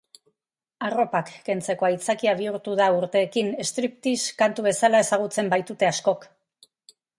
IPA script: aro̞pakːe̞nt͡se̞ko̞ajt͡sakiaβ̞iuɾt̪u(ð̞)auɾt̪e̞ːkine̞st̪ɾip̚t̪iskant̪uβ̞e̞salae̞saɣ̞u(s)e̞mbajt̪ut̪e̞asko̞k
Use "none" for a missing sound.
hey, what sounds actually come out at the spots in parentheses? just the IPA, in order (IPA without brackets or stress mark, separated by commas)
ð̞, t͡s